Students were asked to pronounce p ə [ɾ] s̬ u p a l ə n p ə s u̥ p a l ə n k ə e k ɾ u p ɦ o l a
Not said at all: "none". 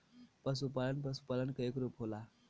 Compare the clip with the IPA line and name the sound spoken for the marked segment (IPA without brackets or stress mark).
none